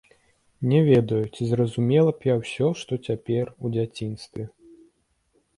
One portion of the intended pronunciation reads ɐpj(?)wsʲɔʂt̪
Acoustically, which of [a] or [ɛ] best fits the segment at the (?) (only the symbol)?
a